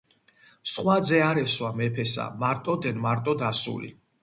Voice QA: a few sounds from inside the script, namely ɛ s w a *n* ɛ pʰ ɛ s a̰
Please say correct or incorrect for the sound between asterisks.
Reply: incorrect